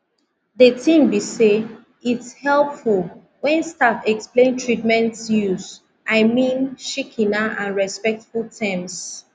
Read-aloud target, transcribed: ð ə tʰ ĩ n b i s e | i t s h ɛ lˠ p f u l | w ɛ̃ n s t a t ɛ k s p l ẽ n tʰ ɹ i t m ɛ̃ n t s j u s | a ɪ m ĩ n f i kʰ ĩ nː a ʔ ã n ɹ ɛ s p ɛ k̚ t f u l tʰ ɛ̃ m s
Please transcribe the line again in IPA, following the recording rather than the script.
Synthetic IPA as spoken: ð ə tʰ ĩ m b i s e | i t s h ɛ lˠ p f u l | w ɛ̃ n s t a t ɛ k s p l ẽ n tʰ ɹ i t m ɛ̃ n t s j u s | a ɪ m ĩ n ʃ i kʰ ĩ n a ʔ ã n ɹ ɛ s p ɛ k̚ t f u l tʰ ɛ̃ m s